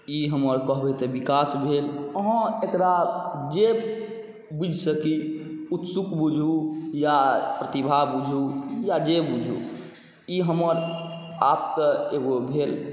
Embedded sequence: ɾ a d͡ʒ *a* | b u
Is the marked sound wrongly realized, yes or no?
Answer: yes